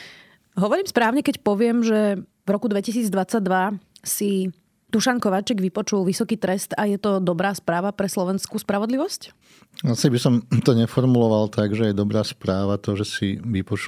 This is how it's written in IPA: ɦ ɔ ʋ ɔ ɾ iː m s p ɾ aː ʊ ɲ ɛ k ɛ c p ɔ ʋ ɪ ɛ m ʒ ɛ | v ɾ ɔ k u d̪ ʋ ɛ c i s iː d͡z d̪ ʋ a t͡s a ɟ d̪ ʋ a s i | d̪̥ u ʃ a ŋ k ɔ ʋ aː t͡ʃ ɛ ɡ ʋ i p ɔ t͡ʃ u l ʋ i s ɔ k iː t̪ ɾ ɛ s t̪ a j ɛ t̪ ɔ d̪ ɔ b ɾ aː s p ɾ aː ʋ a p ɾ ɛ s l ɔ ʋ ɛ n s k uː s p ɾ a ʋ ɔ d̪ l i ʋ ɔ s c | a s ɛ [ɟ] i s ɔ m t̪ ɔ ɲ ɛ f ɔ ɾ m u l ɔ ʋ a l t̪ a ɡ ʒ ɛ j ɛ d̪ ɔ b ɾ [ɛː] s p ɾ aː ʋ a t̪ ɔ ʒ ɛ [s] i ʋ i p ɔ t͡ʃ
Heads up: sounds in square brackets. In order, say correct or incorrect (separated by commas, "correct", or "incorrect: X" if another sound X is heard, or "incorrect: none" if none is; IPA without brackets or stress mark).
incorrect: b, incorrect: aː, correct